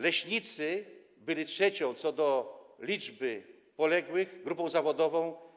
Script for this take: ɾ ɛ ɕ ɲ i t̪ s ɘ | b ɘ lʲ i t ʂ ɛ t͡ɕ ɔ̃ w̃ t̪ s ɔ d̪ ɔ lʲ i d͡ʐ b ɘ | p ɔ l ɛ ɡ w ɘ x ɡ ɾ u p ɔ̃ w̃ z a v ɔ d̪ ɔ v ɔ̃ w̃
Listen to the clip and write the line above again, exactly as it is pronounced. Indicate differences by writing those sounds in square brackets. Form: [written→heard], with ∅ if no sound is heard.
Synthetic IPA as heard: [ɾ→l] ɛ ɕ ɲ i t̪ s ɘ | b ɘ lʲ i t ʂ ɛ t͡ɕ ɔ̃ w̃ t̪ s ɔ d̪ ɔ lʲ i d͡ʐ b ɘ | p ɔ l ɛ ɡ w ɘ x ɡ ɾ u p ɔ̃ w̃ z a v ɔ d̪ ɔ v ɔ̃ w̃